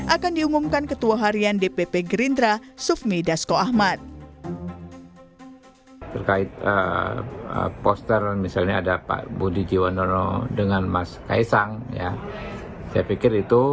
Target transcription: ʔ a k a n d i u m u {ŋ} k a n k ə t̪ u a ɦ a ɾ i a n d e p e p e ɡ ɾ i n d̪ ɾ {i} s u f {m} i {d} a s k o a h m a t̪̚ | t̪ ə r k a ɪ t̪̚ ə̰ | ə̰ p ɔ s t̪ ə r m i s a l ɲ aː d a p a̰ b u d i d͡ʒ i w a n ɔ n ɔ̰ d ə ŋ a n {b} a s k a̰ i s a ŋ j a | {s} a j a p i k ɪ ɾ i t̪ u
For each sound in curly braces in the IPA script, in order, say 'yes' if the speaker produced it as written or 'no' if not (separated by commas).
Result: no, no, yes, yes, no, yes